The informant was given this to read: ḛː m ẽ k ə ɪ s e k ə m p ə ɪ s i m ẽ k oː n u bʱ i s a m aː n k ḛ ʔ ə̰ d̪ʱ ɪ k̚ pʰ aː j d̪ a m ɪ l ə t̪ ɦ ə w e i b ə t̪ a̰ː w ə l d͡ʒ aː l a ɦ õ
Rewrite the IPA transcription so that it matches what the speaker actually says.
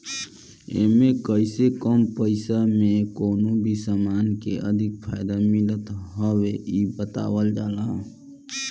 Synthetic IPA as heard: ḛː m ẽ k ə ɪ s e k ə m p ə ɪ s a m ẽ k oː n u bʱ i s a m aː n k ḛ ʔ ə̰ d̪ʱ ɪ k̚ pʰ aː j d̪ a m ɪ l ə t̪ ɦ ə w e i b ə t̪ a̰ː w ə l d͡ʒ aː l a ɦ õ

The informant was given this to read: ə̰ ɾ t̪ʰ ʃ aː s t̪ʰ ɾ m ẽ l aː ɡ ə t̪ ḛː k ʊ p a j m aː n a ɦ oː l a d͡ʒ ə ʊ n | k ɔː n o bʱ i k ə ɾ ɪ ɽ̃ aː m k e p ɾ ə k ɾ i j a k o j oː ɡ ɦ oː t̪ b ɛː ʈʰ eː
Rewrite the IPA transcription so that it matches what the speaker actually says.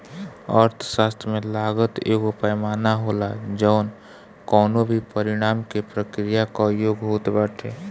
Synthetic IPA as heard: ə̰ ɾ t̪ʰ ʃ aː s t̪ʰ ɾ m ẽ l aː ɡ ə t̪ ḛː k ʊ p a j m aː n a ɦ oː l a d͡ʒ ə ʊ n | k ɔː n o bʱ i p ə ɾ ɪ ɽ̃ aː m k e p ɾ ə k ɾ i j a k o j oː ɡ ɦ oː t̪ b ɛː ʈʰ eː

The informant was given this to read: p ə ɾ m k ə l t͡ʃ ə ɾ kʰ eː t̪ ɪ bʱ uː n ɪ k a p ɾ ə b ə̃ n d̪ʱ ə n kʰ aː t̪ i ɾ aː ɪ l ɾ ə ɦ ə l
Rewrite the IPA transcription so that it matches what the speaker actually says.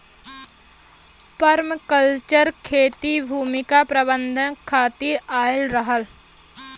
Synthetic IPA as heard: p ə ɾ m k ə l t͡ʃ ə ɾ kʰ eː t̪ i bʱ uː m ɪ k a p ɾ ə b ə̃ n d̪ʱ ə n kʰ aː t̪ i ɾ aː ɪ l ɾ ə ɦ ə l

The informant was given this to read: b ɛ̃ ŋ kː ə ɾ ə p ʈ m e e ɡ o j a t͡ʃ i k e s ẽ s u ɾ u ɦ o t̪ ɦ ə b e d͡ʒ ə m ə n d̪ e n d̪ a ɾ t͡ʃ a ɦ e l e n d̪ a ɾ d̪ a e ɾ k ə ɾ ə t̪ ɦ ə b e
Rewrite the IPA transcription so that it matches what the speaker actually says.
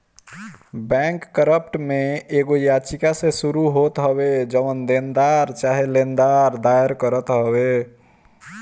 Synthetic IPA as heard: b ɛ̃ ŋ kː ə ɾ ə p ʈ m e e ɡ o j a t͡ʃ i k a s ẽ s u ɾ u ɦ o t̪ ɦ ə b e d͡ʒ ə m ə n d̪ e n d̪ a ɾ t͡ʃ a ɦ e l e n d̪ a ɾ d̪ a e ɾ k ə ɾ ə t̪ ɦ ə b e

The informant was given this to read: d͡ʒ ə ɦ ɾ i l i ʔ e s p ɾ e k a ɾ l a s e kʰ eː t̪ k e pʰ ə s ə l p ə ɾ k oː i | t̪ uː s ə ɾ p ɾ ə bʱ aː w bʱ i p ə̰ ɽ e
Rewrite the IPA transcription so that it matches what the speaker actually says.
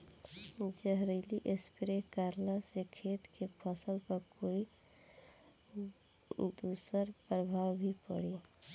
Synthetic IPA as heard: d͡ʒ ə ɦ ɾ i l i ʔ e s p ɾ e k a ɾ l a s e kʰ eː t̪ k e pʰ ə s ə l p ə ɾ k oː i | d̪ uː s ə ɾ p ɾ ə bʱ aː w bʱ i p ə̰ ɽ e

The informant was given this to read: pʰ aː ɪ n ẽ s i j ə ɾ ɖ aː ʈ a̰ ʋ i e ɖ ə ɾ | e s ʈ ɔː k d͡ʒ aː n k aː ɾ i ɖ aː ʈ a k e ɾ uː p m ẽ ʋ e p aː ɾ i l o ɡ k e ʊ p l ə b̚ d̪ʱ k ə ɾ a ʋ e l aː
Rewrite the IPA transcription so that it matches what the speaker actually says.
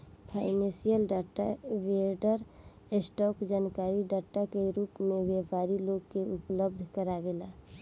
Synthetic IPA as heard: pʰ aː ɪ n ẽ s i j ə l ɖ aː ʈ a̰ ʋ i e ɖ ə ɾ | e s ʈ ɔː k d͡ʒ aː n k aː ɾ i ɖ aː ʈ a k e ɾ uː p m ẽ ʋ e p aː ɾ i l o ɡ k e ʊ p l ə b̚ d̪ʱ k ə ɾ a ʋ e l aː

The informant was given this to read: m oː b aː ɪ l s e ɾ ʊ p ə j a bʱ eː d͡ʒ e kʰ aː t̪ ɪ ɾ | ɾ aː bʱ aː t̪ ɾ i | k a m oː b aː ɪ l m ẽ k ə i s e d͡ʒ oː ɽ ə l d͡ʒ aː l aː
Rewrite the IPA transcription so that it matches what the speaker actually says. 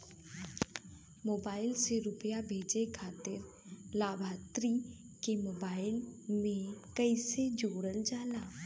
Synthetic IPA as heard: m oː b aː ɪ l s e ɾ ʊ p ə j a bʱ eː d͡ʒ e kʰ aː t̪ ɪ ɾ | l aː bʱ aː t̪ ɾ i | k e m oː b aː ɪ l m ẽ k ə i s e d͡ʒ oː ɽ ə l d͡ʒ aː l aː

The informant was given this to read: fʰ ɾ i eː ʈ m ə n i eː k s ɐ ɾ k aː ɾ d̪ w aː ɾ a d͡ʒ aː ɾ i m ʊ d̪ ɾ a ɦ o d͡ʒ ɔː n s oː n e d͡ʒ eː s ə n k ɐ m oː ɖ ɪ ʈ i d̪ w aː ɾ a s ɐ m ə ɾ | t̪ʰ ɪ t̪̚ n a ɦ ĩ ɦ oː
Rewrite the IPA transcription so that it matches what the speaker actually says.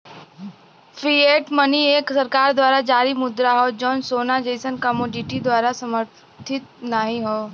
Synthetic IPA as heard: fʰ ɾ i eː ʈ m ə n i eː k s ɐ ɾ k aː ɾ d̪ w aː ɾ a d͡ʒ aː ɾ i m ʊ d̪ ɾ a ɦ o d͡ʒ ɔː n s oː n a d͡ʒ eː s ə n k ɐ m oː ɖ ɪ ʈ i d̪ w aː ɾ a s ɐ m ə ɾ | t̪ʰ ɪ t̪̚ n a ɦ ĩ ɦ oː

